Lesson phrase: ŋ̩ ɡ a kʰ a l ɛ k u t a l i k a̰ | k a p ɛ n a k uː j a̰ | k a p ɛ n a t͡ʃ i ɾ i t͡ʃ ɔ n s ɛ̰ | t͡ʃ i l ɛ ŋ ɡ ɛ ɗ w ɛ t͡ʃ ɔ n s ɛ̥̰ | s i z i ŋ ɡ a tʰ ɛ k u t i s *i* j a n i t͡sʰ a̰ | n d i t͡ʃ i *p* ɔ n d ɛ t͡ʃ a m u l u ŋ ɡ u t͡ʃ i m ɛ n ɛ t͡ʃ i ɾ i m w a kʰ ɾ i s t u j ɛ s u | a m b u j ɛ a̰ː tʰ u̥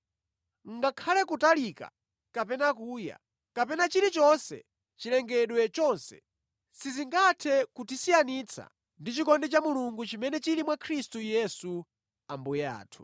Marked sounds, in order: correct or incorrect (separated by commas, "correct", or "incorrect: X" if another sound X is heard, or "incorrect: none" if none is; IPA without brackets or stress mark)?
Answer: correct, incorrect: k